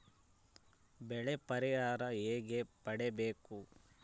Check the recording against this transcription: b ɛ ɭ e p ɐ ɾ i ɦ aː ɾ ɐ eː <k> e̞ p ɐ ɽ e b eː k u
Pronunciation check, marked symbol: incorrect: ɡ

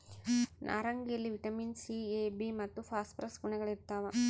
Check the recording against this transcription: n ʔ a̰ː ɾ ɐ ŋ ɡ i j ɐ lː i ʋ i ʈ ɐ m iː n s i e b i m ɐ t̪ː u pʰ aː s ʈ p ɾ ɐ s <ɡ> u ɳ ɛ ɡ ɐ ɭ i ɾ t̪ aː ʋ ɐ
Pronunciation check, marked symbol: correct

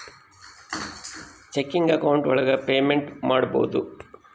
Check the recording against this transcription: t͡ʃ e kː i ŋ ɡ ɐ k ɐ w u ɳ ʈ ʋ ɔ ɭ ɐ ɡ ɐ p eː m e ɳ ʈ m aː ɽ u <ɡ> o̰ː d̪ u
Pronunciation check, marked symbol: incorrect: b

